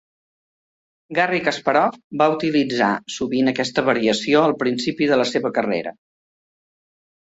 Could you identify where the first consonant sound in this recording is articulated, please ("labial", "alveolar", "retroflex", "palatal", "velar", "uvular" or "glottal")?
velar